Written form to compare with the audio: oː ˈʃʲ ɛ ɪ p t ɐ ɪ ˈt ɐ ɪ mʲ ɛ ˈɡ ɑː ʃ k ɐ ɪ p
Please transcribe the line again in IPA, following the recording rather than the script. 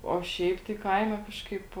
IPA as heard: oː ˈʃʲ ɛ ɪ p t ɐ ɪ ˈk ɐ ɪ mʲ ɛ ˈk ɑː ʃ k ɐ ɪ p